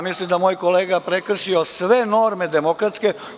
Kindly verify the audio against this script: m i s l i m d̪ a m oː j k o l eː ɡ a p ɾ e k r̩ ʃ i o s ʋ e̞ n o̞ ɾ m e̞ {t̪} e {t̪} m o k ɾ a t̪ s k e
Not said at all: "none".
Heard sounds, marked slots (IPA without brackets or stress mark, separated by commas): d̪, none